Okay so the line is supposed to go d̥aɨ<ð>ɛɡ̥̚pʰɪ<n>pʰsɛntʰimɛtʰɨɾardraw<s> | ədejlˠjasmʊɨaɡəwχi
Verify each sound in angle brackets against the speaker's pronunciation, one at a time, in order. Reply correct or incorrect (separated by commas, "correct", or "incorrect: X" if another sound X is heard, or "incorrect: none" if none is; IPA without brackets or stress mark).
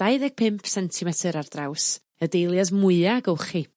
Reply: correct, incorrect: m, correct